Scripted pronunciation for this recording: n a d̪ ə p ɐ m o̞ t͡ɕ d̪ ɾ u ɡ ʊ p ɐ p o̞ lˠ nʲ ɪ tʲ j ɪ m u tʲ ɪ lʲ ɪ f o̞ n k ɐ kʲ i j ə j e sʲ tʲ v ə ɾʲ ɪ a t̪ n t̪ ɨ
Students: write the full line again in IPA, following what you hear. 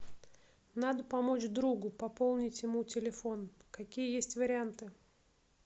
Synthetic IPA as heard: n a d̪ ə p ɐ m o̞ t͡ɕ d̪ ɾ u ɡ ʊ p ɐ p o̞ lˠ nʲ ɪ tʲ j ɪ m u tʲ ɪ lʲ ɪ f o̞ n k ɐ kʲ i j ə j e sʲ tʲ v ə ɾʲ ɪ a n t̪ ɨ